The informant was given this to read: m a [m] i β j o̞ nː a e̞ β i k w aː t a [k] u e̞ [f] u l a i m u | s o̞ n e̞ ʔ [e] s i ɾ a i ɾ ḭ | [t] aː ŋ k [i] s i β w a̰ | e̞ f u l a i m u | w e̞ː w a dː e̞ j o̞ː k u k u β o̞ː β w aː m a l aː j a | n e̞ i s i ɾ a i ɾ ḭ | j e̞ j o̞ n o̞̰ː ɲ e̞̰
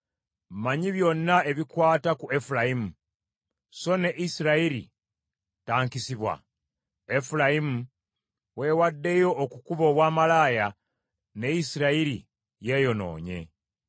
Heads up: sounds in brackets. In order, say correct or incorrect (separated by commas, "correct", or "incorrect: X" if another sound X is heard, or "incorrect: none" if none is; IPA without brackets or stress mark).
incorrect: ɲ, correct, correct, incorrect: i, correct, correct